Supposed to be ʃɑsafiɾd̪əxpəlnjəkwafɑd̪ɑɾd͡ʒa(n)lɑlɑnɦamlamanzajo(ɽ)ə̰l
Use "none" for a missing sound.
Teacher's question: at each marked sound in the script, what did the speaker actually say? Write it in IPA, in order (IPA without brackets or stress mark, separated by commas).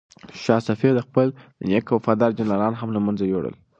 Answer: n, ɽ